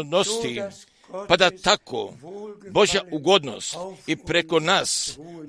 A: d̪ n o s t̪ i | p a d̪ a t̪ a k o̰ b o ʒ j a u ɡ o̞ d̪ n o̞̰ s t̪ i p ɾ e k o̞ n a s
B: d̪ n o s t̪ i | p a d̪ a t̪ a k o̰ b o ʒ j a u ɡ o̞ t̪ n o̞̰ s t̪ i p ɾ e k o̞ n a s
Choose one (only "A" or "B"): A